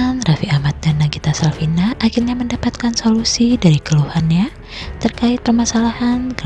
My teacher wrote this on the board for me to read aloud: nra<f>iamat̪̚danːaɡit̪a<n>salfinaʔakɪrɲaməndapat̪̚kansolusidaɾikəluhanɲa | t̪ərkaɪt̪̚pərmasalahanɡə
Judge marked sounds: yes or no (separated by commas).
yes, no